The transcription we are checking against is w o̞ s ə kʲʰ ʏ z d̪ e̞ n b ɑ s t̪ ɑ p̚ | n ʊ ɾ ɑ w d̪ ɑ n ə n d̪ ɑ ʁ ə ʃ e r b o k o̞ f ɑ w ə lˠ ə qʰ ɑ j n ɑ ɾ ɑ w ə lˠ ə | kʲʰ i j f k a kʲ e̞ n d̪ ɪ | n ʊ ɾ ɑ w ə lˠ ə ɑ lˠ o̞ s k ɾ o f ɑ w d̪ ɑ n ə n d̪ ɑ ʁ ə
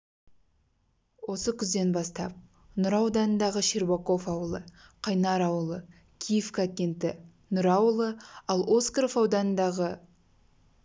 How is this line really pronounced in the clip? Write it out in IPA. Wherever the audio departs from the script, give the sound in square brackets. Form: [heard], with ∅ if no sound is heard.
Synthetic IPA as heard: w o̞ s ə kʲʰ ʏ z d̪ e̞ n b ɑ s t̪ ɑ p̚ | n ʊ ɾ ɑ w d̪ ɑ n ə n d̪ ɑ ʁ ə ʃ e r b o k o̞ f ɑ w ə lˠ ə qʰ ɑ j n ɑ ɾ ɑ w ə lˠ ə | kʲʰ i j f k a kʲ e̞ n [t̪] ɪ | n ʊ ɾ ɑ w ə lˠ ə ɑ lˠ o̞ s k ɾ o f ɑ w d̪ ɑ n ə n d̪ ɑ ʁ ə